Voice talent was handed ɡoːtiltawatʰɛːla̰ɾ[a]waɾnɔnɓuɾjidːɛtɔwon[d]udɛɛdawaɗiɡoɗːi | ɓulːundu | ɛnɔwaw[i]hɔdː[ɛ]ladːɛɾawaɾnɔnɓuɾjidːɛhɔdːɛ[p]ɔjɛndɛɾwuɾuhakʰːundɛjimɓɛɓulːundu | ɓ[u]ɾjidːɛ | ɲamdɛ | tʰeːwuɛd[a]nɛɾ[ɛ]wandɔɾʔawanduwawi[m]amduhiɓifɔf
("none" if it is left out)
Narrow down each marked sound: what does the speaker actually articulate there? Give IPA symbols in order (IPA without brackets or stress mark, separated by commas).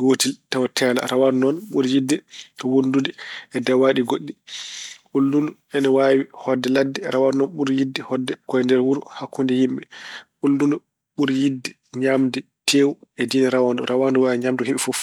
a, d, i, ɛ, k, u, i, a, ɲ